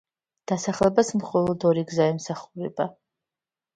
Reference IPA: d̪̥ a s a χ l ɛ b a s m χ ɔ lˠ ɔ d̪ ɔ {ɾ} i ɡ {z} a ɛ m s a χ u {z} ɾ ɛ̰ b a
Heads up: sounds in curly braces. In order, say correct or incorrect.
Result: correct, correct, incorrect

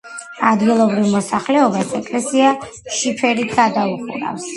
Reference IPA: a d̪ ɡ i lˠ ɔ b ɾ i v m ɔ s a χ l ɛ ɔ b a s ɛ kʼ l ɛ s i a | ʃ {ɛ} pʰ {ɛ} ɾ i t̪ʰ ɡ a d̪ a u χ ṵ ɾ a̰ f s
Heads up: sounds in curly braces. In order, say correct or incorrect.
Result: incorrect, correct

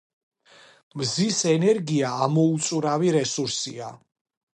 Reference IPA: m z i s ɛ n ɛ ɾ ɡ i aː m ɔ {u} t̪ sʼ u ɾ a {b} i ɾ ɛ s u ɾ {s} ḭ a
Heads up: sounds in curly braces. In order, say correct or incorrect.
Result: correct, incorrect, correct

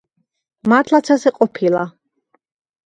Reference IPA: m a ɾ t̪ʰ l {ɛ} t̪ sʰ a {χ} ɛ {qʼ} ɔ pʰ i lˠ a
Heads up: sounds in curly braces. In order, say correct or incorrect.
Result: incorrect, incorrect, correct

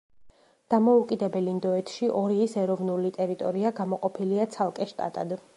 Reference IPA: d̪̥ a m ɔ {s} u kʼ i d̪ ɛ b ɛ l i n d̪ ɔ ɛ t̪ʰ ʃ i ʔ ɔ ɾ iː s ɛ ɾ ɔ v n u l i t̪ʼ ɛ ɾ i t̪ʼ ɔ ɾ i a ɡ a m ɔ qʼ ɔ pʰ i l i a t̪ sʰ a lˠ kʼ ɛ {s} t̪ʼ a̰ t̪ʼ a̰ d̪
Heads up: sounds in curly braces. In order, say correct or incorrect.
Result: incorrect, incorrect

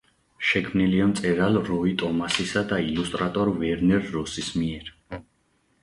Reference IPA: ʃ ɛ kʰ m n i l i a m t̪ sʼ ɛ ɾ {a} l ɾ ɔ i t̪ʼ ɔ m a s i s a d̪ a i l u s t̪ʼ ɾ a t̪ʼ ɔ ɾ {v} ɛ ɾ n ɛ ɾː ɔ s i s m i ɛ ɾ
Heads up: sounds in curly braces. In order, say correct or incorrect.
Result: correct, correct

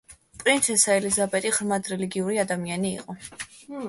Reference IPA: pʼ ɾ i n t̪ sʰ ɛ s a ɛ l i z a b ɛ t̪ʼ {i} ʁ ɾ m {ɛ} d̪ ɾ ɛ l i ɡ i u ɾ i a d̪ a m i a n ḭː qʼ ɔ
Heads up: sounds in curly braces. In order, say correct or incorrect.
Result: correct, incorrect

